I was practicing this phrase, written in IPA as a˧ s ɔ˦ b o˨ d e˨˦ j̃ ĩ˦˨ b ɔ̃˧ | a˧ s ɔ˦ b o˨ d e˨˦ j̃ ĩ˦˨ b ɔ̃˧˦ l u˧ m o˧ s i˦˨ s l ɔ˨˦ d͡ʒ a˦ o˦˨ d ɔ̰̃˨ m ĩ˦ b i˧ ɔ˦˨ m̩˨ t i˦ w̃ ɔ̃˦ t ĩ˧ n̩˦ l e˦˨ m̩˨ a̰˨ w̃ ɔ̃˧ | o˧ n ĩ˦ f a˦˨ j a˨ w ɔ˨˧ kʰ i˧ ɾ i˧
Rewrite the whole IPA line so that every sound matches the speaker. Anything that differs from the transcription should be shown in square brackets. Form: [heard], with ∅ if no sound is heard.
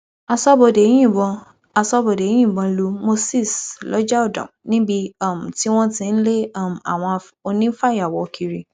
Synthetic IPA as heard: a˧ s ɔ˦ b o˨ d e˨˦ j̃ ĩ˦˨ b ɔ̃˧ | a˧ s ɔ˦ b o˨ d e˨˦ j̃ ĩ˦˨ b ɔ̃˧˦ l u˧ m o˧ s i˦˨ s l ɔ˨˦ d͡ʒ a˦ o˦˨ d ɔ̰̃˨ [n] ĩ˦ b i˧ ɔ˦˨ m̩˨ t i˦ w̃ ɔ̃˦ t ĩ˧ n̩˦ l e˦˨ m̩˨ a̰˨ w̃ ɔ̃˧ | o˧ n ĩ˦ f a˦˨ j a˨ w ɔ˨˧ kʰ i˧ ɾ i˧